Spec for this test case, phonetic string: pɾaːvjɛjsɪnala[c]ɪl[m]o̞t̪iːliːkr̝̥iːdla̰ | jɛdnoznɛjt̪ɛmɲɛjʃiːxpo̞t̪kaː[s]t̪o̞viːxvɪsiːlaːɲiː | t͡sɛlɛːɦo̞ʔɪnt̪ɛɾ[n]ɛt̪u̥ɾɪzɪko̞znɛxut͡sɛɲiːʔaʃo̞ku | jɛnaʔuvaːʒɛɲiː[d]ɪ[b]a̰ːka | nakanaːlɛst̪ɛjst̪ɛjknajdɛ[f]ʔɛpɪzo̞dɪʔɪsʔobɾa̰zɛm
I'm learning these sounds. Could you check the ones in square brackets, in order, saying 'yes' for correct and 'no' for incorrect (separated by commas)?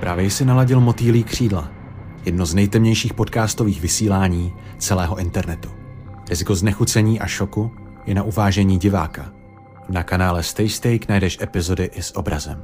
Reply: no, yes, yes, yes, no, no, no